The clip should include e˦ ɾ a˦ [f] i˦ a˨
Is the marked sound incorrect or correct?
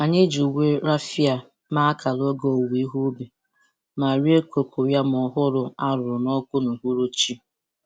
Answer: correct